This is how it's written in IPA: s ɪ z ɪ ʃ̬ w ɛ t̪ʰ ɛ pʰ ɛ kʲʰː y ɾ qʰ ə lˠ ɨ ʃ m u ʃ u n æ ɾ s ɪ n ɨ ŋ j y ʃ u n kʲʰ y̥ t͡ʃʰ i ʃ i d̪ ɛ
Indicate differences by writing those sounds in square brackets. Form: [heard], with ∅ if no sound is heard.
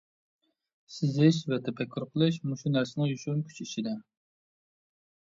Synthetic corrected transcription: s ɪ z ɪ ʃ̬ [v] ɛ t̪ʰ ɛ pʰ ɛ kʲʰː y ɾ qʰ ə lˠ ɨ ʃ m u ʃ u n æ ɾ s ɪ n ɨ ŋ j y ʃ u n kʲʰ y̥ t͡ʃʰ i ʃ i d̪ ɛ